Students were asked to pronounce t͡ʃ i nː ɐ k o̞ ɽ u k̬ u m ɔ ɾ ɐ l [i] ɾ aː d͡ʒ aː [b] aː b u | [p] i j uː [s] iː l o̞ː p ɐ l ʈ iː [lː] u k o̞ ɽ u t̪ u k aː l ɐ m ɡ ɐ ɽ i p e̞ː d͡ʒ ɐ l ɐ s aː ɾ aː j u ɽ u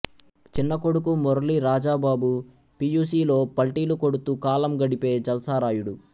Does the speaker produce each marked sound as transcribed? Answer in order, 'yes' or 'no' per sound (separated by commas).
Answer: yes, yes, yes, yes, no